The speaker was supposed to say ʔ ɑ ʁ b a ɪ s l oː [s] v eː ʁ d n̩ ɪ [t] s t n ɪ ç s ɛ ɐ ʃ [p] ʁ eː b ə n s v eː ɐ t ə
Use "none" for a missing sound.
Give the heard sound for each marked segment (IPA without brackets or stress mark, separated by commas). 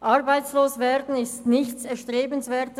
s, none, t